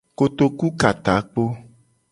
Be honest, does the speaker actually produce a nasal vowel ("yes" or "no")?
no